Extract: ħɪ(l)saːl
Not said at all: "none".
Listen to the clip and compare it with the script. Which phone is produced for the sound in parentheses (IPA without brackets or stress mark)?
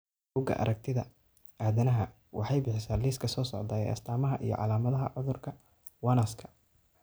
none